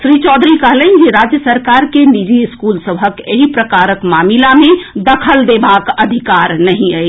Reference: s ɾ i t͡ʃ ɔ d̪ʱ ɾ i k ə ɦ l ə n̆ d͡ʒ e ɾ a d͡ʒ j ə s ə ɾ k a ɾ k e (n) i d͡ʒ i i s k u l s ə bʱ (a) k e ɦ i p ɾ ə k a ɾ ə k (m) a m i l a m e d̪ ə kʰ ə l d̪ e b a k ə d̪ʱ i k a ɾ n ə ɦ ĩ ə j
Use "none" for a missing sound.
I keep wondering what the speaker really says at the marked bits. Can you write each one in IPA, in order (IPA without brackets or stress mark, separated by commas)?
n, ə, m